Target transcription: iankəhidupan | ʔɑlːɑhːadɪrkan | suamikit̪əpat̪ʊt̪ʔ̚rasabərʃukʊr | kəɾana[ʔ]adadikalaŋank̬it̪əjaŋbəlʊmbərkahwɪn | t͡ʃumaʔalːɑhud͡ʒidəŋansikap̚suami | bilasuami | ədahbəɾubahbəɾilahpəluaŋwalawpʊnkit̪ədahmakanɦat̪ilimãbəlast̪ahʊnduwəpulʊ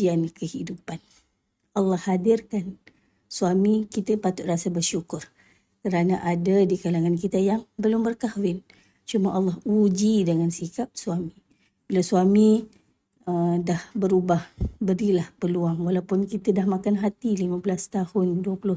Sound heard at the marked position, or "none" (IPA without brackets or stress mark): ʔ